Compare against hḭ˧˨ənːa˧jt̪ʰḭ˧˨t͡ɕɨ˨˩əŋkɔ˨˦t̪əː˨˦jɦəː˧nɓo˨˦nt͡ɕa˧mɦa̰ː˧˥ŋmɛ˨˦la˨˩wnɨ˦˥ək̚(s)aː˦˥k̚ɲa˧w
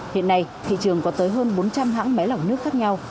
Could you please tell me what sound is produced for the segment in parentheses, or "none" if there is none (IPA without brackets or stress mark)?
x